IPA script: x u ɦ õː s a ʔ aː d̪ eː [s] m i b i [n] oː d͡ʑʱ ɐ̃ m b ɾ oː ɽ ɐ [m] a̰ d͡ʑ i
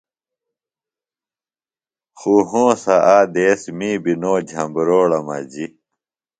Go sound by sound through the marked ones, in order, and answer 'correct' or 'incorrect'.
correct, correct, correct

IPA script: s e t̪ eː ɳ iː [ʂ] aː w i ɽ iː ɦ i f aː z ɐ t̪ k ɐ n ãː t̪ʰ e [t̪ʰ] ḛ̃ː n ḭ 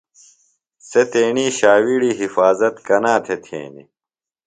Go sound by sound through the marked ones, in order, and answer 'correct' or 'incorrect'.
incorrect: ɕ, correct

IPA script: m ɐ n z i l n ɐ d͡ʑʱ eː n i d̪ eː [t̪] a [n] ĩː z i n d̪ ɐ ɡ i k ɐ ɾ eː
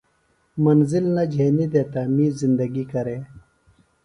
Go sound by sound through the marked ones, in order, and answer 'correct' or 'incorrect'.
correct, incorrect: m

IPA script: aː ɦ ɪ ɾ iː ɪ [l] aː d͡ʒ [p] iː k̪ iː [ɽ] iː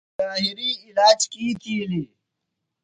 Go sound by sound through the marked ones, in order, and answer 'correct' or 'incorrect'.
correct, incorrect: k, incorrect: l

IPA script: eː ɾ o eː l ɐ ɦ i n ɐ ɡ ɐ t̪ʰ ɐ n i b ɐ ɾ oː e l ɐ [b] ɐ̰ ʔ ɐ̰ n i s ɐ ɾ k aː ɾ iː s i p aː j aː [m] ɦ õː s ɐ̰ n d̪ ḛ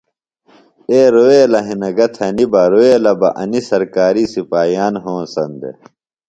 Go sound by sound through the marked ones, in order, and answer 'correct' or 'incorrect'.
correct, incorrect: n

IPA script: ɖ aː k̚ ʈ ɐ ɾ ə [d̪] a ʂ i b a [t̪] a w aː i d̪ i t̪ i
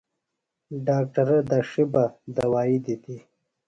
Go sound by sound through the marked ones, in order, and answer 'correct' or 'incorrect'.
correct, incorrect: d̪

